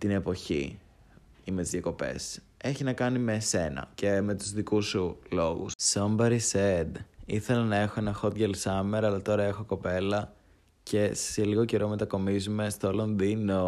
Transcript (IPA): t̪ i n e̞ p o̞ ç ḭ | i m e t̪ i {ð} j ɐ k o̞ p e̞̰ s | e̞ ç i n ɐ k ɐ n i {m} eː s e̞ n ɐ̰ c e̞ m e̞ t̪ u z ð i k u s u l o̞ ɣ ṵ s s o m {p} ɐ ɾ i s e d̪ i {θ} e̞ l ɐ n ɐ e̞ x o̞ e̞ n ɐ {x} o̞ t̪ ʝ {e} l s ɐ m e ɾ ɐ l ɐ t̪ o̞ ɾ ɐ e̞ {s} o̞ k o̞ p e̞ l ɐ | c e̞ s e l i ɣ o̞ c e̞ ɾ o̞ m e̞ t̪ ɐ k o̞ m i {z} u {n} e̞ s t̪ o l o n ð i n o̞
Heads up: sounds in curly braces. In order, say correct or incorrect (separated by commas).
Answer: incorrect, correct, incorrect, correct, correct, correct, incorrect, correct, incorrect